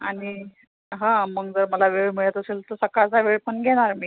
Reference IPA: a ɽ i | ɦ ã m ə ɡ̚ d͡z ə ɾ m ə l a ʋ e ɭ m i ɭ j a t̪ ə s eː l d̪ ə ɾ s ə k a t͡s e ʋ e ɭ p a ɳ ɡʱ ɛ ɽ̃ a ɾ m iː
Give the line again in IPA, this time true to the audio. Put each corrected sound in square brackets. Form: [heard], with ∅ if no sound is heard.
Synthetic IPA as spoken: a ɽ i | ɦ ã m ə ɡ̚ d͡z ə ɾ m ə l a ʋ e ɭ m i ɭ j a t̪ ə s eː l [t̪] ə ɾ s ə k a t͡s [a] ʋ e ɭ p [ə] ɳ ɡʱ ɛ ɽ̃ a ɾ m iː